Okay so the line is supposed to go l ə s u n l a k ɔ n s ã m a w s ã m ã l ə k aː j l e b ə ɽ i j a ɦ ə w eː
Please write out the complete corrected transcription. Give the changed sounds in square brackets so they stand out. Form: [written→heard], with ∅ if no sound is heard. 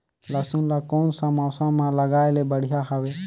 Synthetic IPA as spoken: l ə s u n l a k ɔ n s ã m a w s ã m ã l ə [k→ɡ] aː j l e b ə ɽ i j a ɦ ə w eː

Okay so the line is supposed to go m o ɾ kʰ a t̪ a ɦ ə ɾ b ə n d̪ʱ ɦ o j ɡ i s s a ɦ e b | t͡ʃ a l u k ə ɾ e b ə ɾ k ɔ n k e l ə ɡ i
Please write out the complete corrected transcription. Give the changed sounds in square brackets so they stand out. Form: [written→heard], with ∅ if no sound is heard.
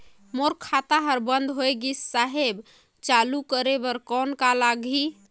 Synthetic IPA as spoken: m o ɾ kʰ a t̪ a ɦ ə ɾ b ə n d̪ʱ ɦ o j ɡ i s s a ɦ e b | t͡ʃ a l u k ə ɾ e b ə ɾ k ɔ n k [e→a] l [ə→a] ɡ i

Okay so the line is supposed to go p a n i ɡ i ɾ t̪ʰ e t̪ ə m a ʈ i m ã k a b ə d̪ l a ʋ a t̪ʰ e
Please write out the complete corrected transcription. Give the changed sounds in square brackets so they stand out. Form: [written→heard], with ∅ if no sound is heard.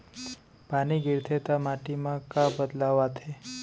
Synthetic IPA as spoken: p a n i ɡ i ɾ t̪ʰ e t̪ [ə→a] m a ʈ i m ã k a b ə d̪ l a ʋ a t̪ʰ e

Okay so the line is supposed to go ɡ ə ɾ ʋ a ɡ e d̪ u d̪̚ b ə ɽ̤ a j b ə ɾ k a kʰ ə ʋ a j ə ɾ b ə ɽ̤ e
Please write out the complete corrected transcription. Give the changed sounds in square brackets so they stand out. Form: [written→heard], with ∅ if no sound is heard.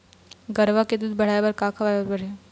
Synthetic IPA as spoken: ɡ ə ɾ ʋ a [ɡ→k] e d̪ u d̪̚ b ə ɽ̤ a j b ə ɾ k a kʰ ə ʋ a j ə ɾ b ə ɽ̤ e

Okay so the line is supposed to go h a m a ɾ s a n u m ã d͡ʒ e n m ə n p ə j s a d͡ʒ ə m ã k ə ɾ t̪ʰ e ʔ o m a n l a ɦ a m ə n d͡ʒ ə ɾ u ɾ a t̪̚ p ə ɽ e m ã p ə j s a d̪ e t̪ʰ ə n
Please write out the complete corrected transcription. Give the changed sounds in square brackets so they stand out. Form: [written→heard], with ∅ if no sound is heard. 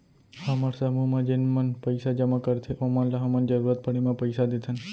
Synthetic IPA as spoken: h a m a ɾ s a [n→m] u m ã d͡ʒ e n m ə n p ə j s a d͡ʒ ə m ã k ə ɾ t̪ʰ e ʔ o m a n l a ɦ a m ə n d͡ʒ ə ɾ u ɾ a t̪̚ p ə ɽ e m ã p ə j s a d̪ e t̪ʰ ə n

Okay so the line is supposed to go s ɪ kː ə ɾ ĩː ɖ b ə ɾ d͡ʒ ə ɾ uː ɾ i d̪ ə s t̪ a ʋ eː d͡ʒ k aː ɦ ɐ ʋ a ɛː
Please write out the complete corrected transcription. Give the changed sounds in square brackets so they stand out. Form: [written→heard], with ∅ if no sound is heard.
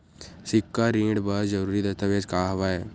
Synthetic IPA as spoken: s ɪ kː [ə→a] ɾ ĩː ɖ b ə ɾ d͡ʒ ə ɾ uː ɾ i d̪ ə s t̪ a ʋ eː d͡ʒ k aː ɦ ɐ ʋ a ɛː

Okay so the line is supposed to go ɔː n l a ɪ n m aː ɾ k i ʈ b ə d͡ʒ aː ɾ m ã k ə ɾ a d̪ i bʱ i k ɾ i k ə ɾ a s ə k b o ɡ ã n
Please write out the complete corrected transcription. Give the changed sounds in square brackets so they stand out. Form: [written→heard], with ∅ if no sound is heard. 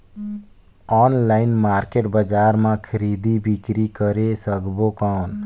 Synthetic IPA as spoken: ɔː n l a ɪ n m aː ɾ k [i→e] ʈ b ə d͡ʒ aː ɾ m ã [k→kʰ] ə ɾ [a→i] d̪ i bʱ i k ɾ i k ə ɾ [a→e] s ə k b o [ɡ→k] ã n

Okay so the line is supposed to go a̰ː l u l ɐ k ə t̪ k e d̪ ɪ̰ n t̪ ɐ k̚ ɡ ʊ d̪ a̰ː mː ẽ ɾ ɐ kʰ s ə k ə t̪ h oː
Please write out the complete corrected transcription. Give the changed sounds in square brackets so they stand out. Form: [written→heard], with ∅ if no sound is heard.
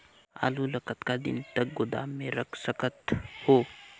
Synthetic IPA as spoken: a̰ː l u l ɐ k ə t̪ k [e→a] d̪ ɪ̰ n t̪ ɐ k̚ ɡ ʊ d̪ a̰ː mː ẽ ɾ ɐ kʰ s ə k ə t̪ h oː

